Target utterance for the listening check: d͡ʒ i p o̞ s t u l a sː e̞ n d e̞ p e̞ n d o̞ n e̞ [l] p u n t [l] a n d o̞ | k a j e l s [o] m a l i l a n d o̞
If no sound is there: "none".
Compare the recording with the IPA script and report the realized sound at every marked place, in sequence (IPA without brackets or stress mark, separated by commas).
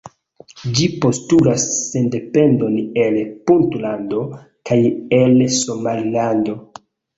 l, l, o